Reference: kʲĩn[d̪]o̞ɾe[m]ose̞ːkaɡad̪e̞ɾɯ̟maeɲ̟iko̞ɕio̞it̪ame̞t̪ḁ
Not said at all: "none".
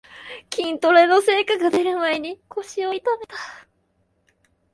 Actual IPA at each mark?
t̪, n

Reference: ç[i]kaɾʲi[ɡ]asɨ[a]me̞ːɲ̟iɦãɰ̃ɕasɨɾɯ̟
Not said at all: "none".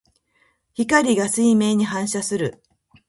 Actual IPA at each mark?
i, ɡ, i

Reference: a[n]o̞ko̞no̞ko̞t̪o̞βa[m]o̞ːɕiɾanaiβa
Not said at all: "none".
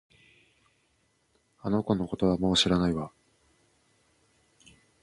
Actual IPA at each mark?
n, m

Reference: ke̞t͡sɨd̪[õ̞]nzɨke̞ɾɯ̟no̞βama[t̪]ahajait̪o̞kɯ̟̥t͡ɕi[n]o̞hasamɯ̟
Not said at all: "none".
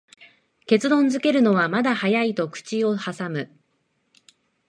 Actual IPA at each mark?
õ̞, d̪, none

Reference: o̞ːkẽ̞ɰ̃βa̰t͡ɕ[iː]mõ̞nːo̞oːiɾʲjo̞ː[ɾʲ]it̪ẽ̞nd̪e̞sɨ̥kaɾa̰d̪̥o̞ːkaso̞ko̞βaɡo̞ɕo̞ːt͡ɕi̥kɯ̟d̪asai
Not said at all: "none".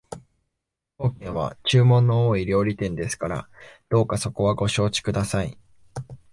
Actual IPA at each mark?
ɨː, ɾʲ

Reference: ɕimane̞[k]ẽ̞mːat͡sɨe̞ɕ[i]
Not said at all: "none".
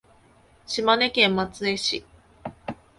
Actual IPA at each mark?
k, i

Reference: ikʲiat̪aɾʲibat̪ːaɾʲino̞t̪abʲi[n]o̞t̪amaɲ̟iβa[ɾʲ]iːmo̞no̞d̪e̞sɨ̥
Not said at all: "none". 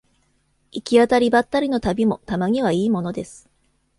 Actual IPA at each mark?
m, none

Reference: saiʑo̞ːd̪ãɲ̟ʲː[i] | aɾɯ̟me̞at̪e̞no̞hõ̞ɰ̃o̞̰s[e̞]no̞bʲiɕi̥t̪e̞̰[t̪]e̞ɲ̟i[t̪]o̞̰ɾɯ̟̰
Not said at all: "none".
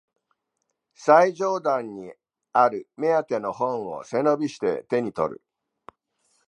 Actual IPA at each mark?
i, e̞, t̪, t̪

